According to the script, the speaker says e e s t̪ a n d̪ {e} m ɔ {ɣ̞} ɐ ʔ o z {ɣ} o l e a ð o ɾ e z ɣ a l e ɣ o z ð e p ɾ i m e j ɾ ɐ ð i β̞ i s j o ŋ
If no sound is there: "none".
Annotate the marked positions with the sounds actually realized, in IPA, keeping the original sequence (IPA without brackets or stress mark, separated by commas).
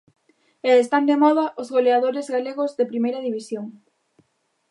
e, ð̞, ɣ